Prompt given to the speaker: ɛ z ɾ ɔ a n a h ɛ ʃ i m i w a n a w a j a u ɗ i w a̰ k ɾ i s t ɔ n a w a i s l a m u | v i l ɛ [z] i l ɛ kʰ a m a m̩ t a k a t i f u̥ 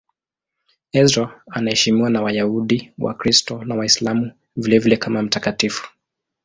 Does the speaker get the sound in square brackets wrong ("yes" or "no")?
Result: yes